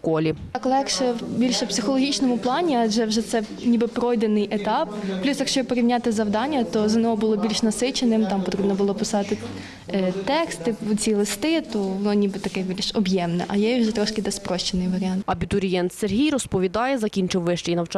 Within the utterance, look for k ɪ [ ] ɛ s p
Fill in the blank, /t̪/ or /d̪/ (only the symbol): d̪